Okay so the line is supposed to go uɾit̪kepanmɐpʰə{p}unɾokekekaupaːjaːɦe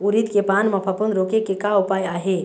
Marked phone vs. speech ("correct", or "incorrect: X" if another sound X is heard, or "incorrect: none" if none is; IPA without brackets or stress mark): correct